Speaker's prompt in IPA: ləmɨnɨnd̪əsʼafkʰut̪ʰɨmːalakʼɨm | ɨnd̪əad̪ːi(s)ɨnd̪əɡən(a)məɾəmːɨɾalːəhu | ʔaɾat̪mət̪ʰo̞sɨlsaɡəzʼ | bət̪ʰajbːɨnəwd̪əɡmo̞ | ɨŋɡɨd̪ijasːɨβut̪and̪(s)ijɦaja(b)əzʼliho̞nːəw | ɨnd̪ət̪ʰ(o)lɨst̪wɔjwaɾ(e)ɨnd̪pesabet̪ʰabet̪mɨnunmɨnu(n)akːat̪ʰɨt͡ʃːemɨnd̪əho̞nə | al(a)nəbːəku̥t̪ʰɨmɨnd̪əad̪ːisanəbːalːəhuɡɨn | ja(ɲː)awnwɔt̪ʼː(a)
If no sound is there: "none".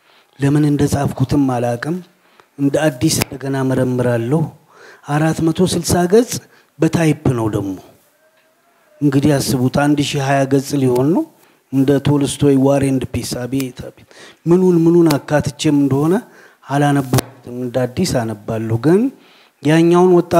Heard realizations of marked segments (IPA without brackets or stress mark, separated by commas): s, a, ʃ, ɡ, o, e, n, a, ɲː, a